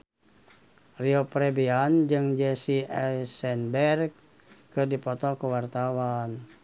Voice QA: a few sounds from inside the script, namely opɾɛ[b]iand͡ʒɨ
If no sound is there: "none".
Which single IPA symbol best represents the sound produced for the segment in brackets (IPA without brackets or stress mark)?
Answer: b